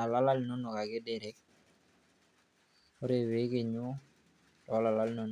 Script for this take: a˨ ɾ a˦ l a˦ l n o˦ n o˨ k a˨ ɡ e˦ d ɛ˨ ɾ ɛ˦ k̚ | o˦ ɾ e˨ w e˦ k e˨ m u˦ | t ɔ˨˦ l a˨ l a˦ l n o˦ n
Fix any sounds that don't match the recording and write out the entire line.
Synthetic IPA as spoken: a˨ l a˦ l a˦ l n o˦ n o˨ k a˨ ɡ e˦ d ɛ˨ ɾ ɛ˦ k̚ | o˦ ɾ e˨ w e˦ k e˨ ɲ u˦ | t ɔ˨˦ l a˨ l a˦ l n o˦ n